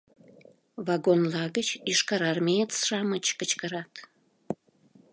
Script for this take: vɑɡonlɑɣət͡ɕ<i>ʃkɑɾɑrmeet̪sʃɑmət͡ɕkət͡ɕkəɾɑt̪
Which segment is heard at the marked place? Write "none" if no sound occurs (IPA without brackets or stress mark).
i